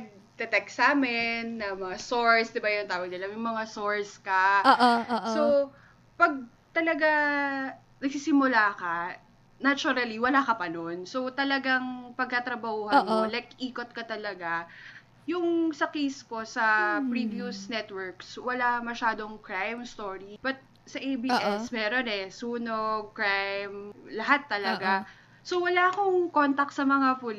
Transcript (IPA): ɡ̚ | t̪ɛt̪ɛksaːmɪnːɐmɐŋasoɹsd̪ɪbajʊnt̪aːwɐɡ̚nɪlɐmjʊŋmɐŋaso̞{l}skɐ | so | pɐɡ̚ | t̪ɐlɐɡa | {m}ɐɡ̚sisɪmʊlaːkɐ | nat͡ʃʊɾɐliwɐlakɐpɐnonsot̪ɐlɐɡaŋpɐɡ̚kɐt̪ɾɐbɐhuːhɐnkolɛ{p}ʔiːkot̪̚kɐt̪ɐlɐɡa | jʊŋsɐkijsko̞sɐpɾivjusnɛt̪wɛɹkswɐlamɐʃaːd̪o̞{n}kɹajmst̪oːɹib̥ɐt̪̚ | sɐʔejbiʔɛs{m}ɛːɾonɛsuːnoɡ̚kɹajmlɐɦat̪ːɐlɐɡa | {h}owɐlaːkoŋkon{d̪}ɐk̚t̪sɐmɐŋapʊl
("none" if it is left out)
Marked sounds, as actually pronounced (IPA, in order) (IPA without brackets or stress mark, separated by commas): ɹ, n, k, ŋ, m, s, t̪